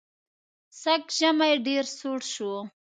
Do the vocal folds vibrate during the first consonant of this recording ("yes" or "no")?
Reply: no